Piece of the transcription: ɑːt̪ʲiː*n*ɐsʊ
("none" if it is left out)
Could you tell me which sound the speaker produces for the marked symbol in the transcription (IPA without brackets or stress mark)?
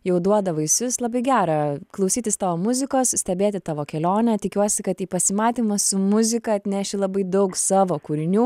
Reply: m